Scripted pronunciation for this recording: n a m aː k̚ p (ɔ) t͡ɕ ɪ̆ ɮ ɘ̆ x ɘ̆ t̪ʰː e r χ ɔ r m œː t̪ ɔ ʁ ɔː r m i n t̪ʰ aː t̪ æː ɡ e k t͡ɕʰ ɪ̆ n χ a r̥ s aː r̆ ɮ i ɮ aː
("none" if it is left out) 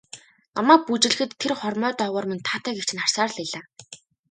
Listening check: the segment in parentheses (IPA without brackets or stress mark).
u